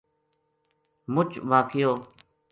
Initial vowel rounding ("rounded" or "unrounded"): rounded